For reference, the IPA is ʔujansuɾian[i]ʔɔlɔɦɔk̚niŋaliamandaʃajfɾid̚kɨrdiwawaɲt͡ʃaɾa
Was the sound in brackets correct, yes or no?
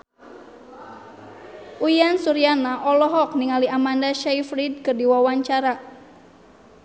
no